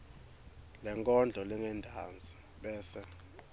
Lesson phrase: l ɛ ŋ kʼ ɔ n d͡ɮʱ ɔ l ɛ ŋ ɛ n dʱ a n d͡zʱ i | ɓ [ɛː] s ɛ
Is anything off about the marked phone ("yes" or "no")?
no